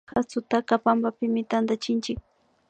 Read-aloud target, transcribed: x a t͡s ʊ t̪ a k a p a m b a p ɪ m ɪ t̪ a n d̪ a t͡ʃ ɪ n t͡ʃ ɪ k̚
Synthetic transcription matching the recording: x a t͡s ʊ t̪ a k a p a m b a p ɪ m ɪ t̪ a n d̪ a t͡ʃ ɪ n t͡ʃ ɪ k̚